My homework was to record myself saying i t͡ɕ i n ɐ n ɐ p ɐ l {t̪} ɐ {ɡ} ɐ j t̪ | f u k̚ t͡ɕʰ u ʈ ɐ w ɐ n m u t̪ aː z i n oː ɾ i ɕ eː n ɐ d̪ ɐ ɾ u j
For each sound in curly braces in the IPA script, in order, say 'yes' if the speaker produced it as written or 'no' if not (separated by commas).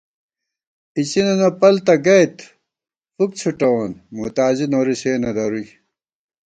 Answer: yes, yes